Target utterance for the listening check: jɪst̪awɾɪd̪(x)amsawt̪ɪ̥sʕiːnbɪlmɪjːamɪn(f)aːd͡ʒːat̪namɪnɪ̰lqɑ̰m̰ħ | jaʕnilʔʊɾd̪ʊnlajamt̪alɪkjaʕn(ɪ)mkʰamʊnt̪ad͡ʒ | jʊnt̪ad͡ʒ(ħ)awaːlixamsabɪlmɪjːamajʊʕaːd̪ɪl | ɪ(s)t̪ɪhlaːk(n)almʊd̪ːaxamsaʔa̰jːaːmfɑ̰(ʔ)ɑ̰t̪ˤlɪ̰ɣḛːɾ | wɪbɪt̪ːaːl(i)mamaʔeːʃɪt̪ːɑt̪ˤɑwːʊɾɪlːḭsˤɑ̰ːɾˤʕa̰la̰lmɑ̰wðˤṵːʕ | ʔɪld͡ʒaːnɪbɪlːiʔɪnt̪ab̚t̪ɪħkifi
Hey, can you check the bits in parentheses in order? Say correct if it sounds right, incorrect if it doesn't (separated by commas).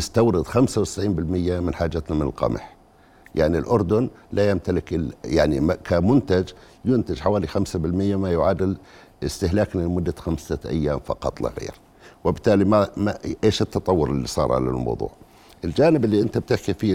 correct, incorrect, incorrect, correct, correct, correct, incorrect, correct